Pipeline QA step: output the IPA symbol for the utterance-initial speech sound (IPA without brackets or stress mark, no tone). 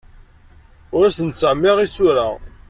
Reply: ʊ